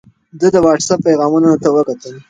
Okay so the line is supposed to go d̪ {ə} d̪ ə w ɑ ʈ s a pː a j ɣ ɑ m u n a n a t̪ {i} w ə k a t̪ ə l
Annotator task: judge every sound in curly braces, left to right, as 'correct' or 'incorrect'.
correct, incorrect

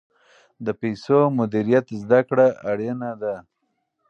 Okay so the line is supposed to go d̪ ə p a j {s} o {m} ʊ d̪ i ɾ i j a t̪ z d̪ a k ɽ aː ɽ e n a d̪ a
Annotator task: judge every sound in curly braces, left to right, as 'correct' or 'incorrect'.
correct, correct

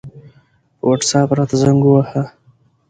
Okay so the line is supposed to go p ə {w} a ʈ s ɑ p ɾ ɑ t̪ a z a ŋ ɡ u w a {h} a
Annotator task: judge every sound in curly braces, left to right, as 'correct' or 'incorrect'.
correct, correct

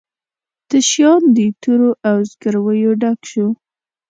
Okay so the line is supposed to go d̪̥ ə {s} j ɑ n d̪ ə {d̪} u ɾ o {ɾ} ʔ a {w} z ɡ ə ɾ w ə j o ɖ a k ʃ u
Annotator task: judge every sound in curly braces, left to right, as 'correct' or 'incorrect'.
incorrect, incorrect, incorrect, correct

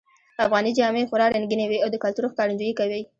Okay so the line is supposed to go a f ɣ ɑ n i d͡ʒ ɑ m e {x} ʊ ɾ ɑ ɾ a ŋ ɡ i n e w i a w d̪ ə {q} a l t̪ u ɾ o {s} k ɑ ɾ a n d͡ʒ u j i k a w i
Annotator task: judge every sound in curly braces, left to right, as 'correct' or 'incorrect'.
correct, incorrect, incorrect

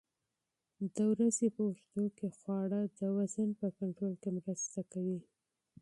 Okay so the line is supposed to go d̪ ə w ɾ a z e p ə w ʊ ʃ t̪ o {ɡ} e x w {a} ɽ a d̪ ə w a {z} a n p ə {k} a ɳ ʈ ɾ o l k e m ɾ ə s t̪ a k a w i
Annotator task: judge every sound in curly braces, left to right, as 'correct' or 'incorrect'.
incorrect, incorrect, correct, correct

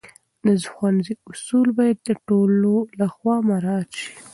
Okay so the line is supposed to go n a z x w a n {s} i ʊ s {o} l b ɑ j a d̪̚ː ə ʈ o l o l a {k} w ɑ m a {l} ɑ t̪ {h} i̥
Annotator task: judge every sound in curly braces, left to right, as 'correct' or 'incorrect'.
incorrect, incorrect, incorrect, incorrect, incorrect

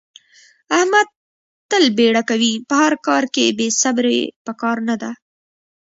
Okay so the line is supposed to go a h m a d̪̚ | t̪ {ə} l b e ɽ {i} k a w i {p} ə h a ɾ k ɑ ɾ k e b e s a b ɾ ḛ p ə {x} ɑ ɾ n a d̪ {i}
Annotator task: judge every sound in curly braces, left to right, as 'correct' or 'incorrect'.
correct, incorrect, correct, incorrect, incorrect

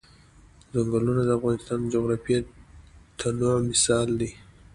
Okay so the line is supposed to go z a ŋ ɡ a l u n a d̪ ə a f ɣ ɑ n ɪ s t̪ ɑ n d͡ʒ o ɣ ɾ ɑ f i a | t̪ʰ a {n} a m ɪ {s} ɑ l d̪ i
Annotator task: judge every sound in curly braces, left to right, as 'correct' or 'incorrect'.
correct, correct

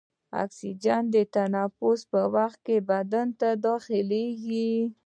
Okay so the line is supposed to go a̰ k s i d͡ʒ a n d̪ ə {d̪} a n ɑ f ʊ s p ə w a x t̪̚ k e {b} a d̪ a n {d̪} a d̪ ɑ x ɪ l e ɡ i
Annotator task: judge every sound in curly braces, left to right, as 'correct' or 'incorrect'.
incorrect, correct, incorrect

